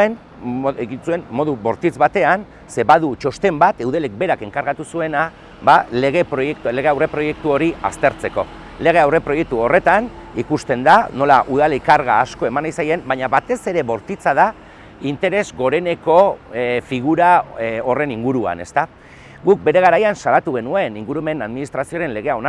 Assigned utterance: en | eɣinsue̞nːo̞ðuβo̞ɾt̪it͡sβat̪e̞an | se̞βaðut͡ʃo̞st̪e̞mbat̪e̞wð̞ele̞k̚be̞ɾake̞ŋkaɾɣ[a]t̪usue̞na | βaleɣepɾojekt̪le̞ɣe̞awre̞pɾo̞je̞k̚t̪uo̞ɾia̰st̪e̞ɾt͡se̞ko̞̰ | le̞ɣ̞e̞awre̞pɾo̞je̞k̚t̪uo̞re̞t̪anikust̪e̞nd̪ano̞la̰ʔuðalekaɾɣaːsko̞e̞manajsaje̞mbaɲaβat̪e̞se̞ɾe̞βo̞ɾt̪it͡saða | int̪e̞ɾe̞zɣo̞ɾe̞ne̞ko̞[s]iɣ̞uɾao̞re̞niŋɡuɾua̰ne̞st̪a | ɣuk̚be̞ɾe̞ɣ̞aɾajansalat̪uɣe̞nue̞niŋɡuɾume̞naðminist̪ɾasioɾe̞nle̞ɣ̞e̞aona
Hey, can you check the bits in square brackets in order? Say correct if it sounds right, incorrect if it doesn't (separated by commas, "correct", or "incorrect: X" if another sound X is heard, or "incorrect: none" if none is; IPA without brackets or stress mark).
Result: correct, incorrect: f